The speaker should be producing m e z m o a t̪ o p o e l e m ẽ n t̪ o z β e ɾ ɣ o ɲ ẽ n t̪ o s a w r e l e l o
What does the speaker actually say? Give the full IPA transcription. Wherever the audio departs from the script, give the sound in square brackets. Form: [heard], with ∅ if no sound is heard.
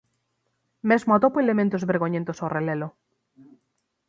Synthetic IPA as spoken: m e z m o a t̪ o p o e l e m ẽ n t̪ o z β e ɾ ɣ o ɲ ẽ n t̪ o s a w r e l e l o